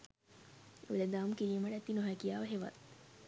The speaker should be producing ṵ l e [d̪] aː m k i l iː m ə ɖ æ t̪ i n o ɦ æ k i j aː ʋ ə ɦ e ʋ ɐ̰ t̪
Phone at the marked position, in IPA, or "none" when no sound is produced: d̪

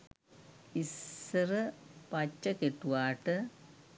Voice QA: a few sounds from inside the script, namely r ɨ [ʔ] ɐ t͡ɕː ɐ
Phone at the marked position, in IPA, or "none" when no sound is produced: p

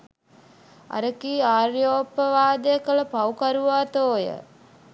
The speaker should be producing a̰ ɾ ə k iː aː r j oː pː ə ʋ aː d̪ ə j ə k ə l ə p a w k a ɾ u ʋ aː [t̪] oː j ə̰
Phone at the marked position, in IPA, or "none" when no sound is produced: t̪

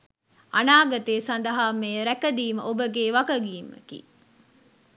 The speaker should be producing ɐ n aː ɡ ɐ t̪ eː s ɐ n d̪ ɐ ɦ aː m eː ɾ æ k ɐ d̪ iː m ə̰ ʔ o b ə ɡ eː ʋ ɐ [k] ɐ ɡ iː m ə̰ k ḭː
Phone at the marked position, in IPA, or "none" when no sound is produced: k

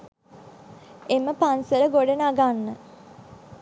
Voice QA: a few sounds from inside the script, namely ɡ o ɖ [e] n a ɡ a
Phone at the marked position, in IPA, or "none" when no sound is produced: e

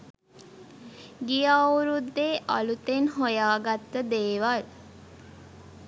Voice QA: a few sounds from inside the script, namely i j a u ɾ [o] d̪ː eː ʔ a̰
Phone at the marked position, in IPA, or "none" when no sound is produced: u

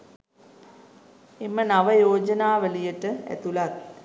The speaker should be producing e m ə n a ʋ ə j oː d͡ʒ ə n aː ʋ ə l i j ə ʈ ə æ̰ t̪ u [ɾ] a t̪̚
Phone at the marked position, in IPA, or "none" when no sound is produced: l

